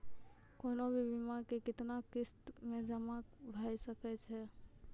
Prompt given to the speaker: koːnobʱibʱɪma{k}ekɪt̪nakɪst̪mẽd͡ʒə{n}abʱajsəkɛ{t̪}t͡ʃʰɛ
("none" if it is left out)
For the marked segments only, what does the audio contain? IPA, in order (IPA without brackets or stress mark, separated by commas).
k, m, none